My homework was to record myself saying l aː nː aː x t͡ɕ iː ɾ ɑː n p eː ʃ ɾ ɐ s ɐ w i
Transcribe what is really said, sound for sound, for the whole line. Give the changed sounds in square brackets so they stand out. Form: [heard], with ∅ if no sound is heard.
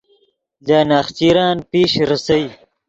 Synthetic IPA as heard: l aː [n] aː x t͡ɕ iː ɾ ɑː n p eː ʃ ɾ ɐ s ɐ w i